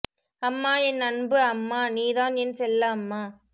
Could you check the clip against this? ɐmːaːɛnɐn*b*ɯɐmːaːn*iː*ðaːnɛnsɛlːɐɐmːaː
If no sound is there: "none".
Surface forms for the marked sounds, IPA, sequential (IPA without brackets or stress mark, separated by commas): b, iː